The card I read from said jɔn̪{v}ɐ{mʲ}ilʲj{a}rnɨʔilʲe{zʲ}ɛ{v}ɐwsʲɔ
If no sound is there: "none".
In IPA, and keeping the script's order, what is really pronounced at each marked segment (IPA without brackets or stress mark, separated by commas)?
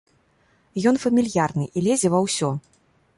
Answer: f, mʲ, a, zʲ, v